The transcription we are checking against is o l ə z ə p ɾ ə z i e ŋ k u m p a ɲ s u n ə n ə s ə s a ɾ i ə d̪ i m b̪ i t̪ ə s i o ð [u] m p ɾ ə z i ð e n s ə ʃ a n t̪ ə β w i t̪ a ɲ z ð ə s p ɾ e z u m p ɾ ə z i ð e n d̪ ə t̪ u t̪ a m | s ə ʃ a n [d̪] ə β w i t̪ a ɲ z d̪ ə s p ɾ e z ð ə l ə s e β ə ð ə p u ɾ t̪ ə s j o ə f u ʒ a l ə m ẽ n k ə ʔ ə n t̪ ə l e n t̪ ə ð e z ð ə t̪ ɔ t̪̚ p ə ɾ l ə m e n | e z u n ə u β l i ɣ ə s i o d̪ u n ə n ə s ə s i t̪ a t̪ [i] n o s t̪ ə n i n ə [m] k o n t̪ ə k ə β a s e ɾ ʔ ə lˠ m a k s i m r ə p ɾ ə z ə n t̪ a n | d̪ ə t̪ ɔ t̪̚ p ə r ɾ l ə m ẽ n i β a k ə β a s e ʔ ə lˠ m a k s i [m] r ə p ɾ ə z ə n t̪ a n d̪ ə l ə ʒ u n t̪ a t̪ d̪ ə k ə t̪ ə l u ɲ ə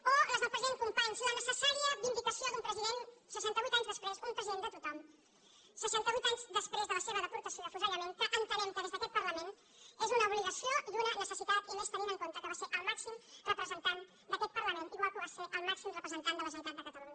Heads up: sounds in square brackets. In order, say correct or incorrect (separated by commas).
correct, incorrect, correct, incorrect, correct